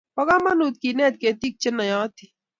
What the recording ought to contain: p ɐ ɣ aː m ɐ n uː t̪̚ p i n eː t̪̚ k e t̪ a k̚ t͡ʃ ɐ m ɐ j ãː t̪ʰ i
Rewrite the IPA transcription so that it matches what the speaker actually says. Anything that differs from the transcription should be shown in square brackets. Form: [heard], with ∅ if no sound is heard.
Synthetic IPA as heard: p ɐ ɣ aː m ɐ n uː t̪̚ [k] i n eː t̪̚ k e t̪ [i] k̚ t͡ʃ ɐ [n] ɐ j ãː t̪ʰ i